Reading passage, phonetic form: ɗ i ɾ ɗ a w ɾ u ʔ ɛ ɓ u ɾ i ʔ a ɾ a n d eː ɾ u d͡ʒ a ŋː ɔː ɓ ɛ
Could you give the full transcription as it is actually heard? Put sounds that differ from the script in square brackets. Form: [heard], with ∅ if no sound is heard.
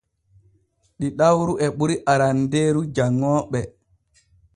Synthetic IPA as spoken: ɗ i [∅] ɗ a w ɾ u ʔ ɛ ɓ u ɾ i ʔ a ɾ a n d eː ɾ u d͡ʒ a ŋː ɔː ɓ ɛ